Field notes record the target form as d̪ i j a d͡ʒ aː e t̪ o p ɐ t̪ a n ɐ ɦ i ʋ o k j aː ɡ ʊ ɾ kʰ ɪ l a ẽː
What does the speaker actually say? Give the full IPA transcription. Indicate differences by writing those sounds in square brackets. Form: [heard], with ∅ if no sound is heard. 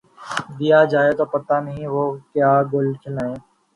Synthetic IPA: d̪ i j a d͡ʒ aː e t̪ o p ɐ t̪ a n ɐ ɦ [ĩ] ʋ o k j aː ɡ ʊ [l] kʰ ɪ l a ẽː